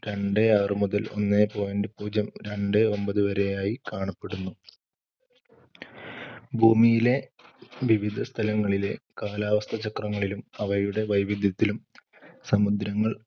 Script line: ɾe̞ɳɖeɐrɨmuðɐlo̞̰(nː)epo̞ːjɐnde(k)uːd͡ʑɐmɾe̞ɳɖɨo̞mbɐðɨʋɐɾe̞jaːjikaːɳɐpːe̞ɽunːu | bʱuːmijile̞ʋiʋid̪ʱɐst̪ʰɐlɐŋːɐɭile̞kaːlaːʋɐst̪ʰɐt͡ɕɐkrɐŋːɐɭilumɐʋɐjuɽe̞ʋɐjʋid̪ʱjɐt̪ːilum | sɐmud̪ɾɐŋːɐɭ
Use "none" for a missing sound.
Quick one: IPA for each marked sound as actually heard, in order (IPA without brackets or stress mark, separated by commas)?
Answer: nː, p